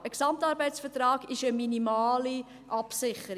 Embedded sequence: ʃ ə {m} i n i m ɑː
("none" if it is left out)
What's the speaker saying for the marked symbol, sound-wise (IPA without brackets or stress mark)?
m